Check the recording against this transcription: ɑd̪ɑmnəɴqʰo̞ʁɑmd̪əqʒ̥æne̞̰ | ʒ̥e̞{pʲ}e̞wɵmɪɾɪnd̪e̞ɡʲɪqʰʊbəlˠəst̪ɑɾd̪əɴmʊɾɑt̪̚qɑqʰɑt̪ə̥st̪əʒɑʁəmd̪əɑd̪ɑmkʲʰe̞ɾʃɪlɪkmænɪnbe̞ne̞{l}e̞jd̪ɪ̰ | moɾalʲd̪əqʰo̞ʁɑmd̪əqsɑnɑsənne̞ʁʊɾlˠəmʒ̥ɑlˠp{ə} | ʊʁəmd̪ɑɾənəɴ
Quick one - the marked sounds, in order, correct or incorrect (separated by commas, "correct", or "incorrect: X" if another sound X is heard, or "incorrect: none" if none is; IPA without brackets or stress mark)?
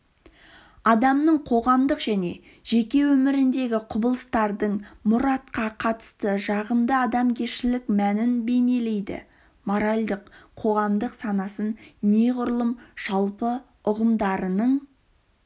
incorrect: kʲ, correct, correct